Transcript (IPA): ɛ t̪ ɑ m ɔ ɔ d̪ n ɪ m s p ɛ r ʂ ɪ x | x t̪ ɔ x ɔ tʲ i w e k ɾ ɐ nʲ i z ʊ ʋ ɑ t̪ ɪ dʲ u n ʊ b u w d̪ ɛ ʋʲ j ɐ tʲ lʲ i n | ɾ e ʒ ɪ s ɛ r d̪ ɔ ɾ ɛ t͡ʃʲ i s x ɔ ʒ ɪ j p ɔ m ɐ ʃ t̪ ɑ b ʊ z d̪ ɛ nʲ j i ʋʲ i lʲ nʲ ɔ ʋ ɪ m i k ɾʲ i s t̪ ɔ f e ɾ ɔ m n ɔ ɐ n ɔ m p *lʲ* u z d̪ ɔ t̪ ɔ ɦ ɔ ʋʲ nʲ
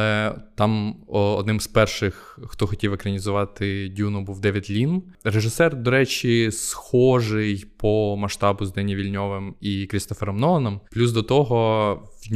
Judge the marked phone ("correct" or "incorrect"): correct